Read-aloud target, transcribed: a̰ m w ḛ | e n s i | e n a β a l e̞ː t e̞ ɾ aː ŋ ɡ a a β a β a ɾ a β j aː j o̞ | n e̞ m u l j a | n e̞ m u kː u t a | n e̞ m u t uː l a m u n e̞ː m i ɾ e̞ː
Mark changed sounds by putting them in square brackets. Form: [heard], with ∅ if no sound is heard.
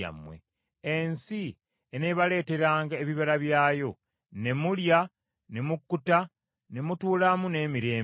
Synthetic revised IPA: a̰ m w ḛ | e n s i | e n [e] β a l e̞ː t e̞ ɾ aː ŋ ɡ a [e] β [i] β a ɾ a β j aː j o̞ | n e̞ m u l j a | n e̞ m u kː u t a | n e̞ m u t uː l a m u n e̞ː m i ɾ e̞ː